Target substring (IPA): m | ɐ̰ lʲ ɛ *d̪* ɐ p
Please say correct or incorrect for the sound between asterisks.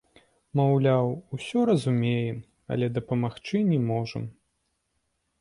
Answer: correct